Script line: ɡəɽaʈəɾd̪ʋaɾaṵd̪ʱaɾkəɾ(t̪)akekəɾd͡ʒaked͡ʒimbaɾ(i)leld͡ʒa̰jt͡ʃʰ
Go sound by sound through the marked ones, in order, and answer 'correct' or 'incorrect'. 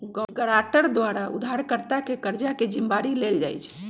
correct, correct

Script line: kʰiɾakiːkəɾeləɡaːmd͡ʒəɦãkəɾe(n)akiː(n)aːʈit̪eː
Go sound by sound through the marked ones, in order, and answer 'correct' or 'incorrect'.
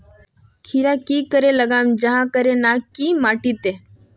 correct, incorrect: m

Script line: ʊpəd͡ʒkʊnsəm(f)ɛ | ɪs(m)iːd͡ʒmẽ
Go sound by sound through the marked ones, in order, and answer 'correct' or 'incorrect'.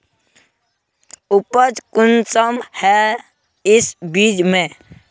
incorrect: h, incorrect: b

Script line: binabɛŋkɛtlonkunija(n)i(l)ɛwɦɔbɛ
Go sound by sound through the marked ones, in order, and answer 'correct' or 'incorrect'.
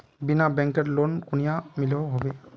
incorrect: m, correct

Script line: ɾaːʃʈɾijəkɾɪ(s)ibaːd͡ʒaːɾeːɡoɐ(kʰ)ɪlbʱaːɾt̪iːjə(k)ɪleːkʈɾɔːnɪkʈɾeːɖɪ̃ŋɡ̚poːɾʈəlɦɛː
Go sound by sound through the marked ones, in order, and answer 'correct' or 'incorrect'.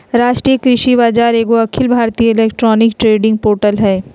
incorrect: ʃ, correct, incorrect: none

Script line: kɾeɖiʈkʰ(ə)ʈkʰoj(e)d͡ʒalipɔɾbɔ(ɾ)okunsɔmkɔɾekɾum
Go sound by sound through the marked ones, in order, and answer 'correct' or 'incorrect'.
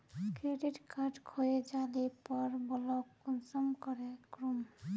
incorrect: a, correct, incorrect: l

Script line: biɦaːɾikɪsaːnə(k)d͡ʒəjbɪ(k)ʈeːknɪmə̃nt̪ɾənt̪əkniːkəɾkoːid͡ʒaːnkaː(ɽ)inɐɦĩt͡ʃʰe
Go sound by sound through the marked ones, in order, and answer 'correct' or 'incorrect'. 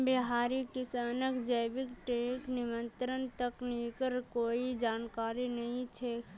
correct, correct, incorrect: ɾ

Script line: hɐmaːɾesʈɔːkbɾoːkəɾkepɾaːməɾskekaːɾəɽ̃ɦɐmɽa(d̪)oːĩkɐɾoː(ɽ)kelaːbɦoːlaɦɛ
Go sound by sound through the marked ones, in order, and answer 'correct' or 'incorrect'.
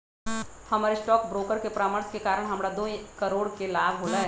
correct, correct

